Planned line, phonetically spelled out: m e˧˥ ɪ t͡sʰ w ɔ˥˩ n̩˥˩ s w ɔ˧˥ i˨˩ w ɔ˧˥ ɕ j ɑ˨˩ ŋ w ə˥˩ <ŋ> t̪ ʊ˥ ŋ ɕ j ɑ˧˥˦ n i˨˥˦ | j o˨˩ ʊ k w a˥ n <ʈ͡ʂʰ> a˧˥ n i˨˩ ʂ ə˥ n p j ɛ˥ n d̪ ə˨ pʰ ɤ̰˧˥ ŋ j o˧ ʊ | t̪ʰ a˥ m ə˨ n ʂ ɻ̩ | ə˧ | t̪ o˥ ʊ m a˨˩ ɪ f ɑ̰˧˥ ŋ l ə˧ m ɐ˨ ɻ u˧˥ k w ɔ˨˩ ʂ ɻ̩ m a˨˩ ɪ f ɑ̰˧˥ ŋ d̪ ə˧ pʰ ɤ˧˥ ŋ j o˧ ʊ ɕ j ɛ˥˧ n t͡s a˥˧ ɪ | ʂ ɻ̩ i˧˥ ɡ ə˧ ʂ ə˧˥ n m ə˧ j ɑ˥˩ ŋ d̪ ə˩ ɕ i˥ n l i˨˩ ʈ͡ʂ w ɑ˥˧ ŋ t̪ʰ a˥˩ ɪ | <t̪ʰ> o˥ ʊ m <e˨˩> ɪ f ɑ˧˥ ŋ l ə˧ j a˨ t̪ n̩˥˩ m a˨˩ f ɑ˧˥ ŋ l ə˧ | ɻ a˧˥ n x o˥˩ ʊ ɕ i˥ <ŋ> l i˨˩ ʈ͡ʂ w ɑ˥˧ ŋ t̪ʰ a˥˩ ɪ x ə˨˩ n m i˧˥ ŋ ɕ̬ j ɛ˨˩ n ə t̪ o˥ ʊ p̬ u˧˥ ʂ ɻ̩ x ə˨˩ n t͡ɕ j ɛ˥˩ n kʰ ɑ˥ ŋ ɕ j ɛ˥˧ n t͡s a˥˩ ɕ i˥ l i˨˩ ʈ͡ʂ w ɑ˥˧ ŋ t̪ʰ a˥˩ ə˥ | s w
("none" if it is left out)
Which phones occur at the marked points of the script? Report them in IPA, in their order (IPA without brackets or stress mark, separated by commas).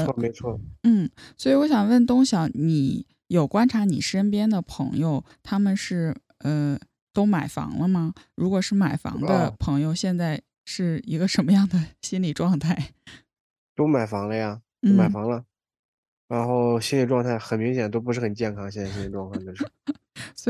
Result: n, ʈ͡ʂʰ, t̪, a˨˩, n